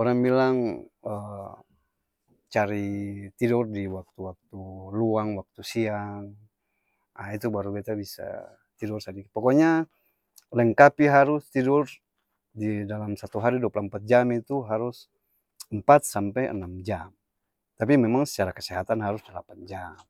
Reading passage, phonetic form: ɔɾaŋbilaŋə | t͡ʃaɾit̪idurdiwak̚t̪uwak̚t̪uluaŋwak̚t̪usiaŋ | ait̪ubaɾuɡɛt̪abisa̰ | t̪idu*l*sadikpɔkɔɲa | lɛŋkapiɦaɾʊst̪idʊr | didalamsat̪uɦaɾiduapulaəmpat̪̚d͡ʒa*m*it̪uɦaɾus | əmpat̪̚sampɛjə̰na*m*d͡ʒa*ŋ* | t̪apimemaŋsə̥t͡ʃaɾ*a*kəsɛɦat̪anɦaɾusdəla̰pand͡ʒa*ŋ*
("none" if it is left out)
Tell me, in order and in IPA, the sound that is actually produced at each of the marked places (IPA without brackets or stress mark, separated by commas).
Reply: r, m, m, m, a, m